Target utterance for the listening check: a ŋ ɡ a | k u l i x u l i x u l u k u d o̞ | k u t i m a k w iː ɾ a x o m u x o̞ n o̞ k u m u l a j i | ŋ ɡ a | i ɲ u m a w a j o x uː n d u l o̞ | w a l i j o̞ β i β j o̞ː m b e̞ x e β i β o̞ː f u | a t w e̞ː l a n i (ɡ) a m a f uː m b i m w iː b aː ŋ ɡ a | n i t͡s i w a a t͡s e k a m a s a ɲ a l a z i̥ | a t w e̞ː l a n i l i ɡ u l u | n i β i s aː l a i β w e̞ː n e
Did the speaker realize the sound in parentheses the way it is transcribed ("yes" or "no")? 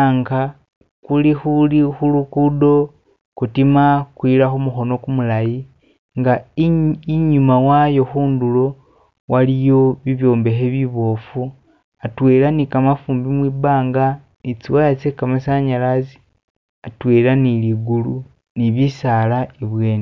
no